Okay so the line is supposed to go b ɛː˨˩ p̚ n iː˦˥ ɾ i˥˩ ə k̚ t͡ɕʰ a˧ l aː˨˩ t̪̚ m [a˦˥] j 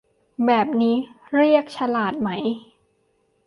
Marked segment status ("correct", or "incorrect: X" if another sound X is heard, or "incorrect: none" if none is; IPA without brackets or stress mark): correct